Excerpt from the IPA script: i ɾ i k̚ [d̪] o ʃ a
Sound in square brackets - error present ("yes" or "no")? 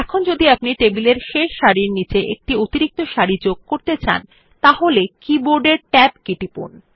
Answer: yes